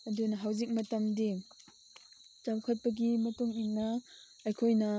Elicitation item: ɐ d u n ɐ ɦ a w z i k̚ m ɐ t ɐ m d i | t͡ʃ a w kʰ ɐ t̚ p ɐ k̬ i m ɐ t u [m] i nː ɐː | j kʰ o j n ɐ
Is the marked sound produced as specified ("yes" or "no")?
no